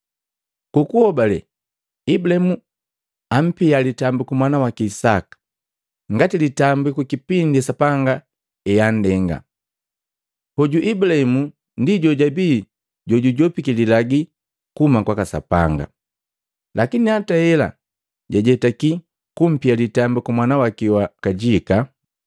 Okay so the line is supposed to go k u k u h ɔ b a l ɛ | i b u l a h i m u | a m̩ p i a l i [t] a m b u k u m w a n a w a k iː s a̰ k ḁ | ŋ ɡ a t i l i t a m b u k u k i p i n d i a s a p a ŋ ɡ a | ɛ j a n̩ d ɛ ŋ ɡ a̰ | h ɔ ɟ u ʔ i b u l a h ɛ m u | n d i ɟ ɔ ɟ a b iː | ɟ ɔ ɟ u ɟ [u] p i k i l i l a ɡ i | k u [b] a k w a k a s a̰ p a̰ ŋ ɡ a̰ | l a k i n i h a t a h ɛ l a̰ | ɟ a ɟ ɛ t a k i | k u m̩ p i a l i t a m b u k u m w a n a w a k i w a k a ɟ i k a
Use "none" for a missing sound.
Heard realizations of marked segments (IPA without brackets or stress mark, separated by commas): t, ɔ, m